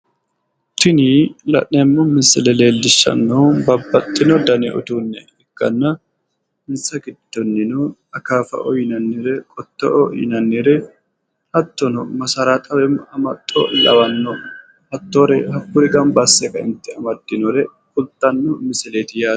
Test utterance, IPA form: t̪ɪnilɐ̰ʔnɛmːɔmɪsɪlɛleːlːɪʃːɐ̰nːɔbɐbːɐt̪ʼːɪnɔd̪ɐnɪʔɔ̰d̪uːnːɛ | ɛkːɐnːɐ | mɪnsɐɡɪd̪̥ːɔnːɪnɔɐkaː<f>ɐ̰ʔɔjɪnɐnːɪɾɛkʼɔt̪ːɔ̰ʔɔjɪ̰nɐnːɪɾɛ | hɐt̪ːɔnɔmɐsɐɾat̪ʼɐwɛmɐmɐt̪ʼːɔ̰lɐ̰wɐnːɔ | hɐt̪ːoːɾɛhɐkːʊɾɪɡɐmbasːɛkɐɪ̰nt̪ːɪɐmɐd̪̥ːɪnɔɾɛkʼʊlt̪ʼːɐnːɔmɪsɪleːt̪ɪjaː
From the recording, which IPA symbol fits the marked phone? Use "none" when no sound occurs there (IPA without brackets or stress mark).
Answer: f